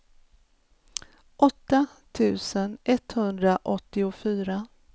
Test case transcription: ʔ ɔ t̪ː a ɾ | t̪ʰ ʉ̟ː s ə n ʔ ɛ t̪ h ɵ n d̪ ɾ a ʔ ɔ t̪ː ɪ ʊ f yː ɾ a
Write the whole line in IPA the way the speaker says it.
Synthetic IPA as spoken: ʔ ɔ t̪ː a | t̪ʰ ʉ̟ː s ə n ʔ ɛ t̪ h ɵ n d̪ ɾ a ʔ ɔ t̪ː ɪ ʊ f yː ɾ a